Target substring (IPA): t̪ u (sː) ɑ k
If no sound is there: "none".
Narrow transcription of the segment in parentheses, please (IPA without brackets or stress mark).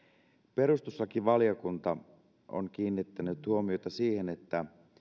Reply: sː